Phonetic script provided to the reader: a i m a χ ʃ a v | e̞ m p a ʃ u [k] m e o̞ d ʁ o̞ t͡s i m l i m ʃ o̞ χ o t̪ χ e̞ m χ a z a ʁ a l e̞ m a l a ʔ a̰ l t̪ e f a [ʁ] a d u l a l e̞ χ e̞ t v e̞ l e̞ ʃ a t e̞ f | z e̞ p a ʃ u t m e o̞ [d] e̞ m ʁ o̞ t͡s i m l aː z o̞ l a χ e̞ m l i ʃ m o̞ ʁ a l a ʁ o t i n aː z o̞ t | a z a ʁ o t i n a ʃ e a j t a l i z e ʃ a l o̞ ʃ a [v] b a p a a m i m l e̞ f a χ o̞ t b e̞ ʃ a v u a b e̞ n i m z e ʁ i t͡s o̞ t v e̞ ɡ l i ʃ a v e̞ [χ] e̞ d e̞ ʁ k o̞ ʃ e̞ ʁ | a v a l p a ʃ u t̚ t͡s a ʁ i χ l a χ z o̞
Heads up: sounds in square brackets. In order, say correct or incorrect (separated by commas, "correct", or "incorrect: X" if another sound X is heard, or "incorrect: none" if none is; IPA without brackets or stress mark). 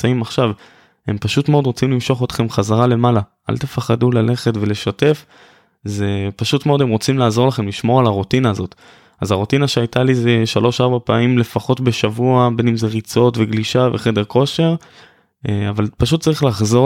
incorrect: t, incorrect: χ, correct, incorrect: ʁ, correct